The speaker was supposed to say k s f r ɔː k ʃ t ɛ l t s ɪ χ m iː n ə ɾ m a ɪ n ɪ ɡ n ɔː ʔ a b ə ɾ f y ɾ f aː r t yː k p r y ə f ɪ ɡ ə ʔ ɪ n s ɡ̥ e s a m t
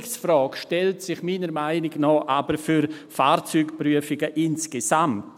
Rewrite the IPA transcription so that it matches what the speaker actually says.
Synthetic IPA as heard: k s f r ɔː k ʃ t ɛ l t s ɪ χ m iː n ə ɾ m a ɪ n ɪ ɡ n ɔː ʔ a b ə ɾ f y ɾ f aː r t͡s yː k p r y ə f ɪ ɡ ə ʔ ɪ n s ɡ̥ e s a m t